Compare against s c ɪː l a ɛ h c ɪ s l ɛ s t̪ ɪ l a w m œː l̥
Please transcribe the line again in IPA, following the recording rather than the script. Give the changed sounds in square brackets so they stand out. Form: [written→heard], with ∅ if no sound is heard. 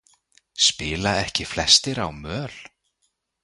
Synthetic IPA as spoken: s [c→p] ɪː l a ɛ h c ɪ [s→f] l ɛ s t̪ ɪ [l→ɾ] a w m œː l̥